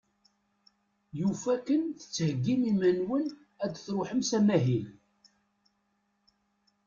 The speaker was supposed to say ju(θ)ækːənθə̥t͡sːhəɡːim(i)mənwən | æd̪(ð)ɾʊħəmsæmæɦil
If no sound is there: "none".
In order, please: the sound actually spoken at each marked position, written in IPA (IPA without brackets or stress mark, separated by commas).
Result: f, i, θ